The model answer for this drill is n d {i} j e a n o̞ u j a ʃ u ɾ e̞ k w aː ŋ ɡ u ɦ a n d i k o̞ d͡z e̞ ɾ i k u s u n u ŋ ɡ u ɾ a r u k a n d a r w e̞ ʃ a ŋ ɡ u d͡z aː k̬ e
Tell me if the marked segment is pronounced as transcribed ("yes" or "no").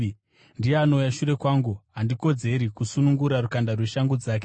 yes